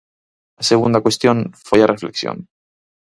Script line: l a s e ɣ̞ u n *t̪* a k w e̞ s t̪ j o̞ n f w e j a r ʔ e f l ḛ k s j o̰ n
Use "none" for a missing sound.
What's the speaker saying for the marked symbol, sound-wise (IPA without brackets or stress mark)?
d̪